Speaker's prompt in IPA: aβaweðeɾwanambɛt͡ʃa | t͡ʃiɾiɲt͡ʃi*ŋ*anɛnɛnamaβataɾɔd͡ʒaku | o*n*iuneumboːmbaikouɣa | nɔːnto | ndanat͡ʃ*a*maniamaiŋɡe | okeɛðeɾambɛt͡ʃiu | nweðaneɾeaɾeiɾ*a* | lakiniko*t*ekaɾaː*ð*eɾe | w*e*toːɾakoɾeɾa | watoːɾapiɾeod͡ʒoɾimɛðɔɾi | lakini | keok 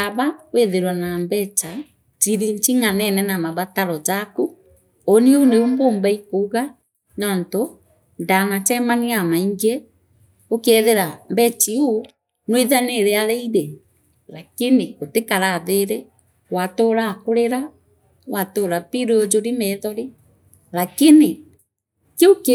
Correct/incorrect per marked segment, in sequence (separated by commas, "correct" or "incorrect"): correct, correct, incorrect, incorrect, correct, correct, incorrect